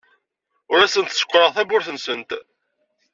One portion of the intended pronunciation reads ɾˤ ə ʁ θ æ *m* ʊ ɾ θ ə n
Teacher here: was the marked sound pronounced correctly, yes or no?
no